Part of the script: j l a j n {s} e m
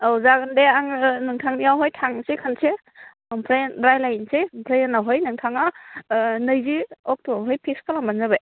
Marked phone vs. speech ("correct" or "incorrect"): correct